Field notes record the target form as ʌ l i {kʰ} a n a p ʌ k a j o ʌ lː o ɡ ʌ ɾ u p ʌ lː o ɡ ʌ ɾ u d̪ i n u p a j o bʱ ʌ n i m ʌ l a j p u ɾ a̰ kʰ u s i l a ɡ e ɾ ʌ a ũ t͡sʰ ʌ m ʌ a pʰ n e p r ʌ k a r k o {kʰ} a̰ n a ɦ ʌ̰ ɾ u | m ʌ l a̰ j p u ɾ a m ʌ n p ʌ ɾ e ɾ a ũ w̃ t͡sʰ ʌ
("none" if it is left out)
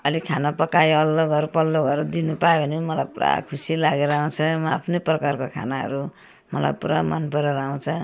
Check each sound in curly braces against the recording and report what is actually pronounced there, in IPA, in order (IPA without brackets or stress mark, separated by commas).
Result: kʰ, kʰ